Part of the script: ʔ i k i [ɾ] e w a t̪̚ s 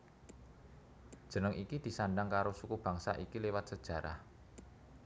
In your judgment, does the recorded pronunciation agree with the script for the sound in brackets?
no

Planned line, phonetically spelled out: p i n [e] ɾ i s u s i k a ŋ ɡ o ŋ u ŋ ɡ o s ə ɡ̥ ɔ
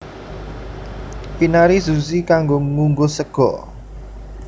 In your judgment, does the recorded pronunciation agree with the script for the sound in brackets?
no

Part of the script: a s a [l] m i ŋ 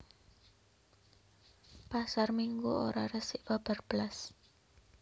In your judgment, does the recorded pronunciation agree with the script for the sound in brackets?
no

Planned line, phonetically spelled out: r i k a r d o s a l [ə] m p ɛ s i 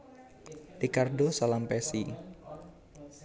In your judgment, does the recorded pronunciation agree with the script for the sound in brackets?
no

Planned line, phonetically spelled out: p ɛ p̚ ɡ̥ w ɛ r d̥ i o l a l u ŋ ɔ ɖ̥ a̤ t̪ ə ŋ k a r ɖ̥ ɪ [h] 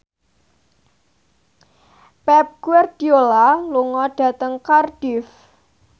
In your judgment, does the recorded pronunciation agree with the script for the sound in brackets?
no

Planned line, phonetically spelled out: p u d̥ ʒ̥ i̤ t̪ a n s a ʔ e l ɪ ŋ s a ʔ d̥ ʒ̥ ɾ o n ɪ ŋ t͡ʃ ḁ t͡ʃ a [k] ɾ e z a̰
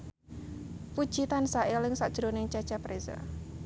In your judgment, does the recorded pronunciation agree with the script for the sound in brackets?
no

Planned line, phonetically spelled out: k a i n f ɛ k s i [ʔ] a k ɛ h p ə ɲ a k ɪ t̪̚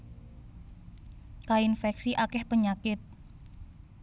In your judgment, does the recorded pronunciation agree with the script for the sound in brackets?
yes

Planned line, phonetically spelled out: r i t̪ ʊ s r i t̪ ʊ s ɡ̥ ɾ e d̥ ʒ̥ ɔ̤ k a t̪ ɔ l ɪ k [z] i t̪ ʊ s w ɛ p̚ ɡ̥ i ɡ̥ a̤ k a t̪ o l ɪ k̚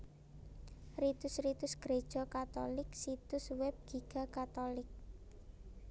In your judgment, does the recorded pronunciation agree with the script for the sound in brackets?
no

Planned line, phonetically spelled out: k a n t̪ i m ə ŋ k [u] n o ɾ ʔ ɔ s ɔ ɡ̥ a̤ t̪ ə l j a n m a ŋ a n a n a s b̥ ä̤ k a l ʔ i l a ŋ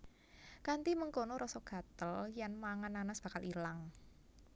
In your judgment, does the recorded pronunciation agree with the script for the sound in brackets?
no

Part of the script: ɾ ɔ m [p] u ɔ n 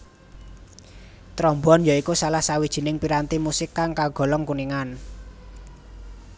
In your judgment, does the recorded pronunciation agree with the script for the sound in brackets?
no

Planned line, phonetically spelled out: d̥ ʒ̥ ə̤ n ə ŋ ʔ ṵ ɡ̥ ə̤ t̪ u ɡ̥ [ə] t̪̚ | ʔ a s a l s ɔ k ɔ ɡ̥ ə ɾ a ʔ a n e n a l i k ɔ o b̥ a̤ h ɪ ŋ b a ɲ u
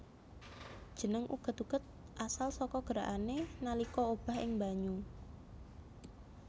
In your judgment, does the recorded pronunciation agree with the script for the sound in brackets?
yes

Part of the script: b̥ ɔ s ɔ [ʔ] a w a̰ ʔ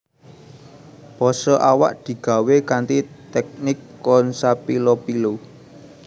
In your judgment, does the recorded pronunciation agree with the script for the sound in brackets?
yes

